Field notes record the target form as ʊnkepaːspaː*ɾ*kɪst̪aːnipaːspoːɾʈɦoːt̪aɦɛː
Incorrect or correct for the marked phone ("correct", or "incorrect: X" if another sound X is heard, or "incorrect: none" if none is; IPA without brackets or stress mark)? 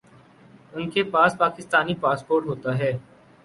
incorrect: none